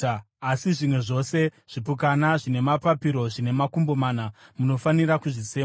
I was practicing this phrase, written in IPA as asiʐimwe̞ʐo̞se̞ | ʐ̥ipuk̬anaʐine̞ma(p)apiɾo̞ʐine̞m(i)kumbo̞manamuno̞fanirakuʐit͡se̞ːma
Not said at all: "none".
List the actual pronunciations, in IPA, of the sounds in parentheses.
p, a

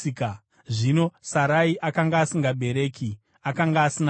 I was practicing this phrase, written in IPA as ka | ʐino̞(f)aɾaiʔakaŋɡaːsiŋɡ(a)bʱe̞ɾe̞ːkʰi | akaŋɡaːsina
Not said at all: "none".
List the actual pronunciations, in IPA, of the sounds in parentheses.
s, a

